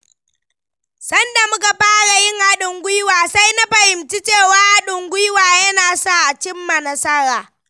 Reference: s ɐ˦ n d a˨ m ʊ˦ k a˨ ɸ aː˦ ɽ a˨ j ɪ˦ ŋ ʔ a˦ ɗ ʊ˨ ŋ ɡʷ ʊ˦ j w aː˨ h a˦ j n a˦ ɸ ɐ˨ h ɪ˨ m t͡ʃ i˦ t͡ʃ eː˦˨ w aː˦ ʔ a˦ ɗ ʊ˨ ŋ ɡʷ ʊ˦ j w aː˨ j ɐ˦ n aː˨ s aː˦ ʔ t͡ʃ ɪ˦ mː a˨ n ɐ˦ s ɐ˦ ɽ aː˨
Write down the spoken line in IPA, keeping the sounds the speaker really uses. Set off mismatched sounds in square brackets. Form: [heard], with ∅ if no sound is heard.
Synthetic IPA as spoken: s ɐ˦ n d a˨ m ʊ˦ k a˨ ɸ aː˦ ɽ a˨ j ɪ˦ ŋ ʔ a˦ ɗ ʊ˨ ŋ ɡʷ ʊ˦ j w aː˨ [s] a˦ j n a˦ ɸ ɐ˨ h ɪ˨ m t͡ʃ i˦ t͡ʃ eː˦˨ w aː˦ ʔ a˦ ɗ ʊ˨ ŋ ɡʷ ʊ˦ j w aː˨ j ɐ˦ n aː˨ s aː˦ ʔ t͡ʃ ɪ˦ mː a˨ n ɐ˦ s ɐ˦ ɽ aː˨